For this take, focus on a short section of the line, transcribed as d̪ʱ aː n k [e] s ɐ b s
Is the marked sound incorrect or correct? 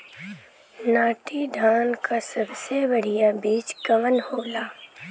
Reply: incorrect